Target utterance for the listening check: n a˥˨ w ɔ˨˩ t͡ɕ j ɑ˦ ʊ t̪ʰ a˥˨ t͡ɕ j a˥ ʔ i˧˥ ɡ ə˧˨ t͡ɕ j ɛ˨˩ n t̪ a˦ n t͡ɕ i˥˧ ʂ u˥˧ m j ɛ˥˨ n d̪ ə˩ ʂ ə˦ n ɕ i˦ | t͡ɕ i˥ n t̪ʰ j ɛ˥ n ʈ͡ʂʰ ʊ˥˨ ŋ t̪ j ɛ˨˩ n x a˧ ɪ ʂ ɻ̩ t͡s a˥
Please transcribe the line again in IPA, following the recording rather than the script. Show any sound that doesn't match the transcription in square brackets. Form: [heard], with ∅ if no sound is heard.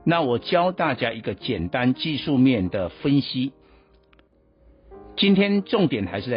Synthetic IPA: n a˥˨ w ɔ˨˩ t͡ɕ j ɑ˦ ʊ [t̪] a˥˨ t͡ɕ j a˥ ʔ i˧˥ ɡ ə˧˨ t͡ɕ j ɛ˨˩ n t̪ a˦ n t͡ɕ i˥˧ ʂ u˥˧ m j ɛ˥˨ n d̪ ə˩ [f] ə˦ n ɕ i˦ | t͡ɕ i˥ n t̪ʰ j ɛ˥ n [ʈ͡ʂ] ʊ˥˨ ŋ t̪ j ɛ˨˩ n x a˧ ɪ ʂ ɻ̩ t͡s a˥